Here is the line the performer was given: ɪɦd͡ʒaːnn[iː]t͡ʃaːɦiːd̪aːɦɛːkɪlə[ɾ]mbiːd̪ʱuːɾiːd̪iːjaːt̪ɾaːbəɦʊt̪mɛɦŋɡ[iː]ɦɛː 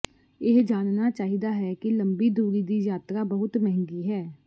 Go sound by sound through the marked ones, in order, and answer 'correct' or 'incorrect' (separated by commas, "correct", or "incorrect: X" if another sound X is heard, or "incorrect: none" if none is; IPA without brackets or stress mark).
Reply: incorrect: aː, incorrect: none, correct